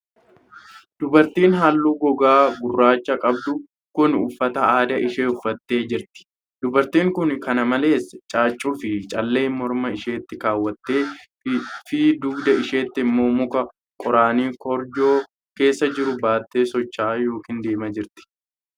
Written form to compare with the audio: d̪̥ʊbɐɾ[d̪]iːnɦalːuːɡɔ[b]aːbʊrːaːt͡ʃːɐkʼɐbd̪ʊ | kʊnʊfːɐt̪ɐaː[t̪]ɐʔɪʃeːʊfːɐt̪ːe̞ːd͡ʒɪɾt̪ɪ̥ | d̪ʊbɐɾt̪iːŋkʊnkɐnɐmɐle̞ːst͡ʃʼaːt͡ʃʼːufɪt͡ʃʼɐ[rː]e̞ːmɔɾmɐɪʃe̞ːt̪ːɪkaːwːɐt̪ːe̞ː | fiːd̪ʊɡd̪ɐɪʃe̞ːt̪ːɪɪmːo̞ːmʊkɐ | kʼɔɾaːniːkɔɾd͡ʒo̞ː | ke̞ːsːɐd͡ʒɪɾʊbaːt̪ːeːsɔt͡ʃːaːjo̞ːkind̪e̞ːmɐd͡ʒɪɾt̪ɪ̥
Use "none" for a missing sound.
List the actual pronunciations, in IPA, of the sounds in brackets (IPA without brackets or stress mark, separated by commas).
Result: t̪, ɡ, d̪, lː